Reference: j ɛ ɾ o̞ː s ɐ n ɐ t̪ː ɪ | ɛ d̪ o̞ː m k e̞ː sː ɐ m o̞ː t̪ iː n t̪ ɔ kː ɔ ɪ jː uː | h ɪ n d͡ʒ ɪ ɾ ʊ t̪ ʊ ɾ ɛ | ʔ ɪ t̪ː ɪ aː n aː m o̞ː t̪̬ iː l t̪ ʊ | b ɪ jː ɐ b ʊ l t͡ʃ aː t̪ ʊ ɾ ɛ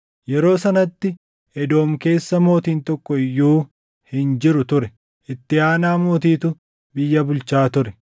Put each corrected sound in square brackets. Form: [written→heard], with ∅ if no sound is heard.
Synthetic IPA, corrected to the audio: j ɛ ɾ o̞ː s ɐ n ɐ t̪ː ɪ | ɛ d̪ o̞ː m k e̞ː sː ɐ m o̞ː t̪ iː n t̪ ɔ kː ɔ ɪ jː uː | h ɪ n d͡ʒ ɪ ɾ ʊ t̪ ʊ ɾ ɛ | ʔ ɪ t̪ː ɪ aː n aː m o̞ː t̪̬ iː [l→∅] t̪ ʊ | b ɪ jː ɐ b ʊ l t͡ʃ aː t̪ ʊ ɾ ɛ